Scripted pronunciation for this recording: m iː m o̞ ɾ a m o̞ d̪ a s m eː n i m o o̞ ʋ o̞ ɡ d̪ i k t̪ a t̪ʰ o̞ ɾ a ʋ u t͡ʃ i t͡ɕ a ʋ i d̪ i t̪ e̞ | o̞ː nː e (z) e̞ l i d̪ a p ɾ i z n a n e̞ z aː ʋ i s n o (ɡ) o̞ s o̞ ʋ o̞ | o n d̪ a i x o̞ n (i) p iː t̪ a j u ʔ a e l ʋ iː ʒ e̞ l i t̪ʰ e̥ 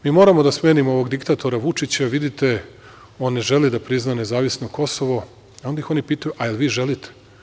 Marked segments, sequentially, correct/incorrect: incorrect, incorrect, correct

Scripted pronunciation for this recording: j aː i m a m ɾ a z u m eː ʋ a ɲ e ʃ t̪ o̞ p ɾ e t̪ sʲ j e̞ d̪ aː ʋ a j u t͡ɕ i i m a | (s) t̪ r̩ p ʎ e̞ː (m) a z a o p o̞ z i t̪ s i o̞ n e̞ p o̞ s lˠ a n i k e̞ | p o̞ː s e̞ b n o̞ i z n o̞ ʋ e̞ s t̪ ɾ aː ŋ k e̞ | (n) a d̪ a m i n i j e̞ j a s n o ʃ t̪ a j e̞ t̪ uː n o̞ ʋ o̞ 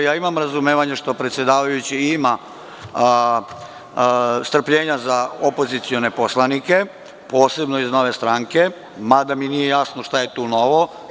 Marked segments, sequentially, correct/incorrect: correct, incorrect, incorrect

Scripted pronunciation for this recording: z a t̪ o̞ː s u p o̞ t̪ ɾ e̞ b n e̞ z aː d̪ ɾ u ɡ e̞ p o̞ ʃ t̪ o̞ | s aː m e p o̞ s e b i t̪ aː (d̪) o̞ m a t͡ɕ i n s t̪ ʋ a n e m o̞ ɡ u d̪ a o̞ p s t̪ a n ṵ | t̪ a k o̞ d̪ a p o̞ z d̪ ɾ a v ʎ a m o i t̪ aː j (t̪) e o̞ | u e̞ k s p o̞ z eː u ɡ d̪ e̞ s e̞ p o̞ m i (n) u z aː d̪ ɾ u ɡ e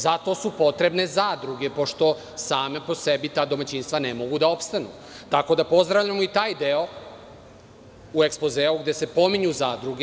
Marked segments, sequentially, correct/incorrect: correct, incorrect, incorrect

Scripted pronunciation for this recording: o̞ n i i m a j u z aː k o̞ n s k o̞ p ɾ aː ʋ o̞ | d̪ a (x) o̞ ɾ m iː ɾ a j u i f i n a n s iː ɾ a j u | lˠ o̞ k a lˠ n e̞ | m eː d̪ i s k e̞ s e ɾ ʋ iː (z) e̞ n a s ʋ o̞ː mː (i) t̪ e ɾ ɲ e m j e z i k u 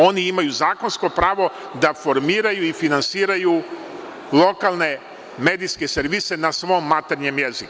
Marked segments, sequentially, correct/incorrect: incorrect, incorrect, incorrect

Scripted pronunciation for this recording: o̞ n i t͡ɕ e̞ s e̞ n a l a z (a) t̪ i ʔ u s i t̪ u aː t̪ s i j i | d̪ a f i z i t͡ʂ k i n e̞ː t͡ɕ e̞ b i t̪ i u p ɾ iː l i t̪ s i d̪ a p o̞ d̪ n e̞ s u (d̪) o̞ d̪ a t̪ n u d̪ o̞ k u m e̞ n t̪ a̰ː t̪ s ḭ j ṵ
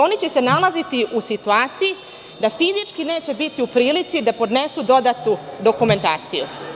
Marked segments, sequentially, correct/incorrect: incorrect, correct

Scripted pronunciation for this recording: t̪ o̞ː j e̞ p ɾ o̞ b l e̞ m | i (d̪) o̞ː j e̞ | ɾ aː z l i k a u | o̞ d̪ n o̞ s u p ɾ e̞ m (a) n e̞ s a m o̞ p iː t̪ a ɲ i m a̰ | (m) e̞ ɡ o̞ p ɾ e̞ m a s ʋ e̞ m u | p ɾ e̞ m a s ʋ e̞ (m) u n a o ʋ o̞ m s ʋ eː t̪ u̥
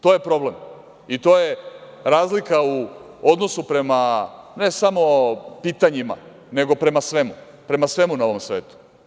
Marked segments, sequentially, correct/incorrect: incorrect, correct, incorrect, correct

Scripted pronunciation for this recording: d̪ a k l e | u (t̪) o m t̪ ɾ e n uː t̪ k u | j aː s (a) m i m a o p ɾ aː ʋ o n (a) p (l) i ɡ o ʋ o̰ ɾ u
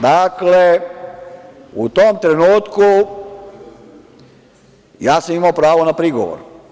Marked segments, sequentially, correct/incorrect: correct, correct, correct, incorrect

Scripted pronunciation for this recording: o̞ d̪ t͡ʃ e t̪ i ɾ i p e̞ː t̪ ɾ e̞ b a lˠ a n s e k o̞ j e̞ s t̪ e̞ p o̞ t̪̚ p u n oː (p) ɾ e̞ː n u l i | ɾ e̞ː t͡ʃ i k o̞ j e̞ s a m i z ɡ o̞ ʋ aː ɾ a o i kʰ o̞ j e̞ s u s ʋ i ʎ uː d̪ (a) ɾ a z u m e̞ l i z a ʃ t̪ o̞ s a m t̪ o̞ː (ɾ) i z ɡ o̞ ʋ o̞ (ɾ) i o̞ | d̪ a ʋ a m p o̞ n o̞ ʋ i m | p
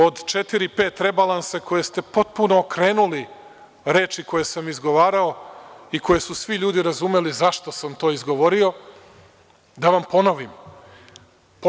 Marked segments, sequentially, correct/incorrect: incorrect, incorrect, incorrect, correct

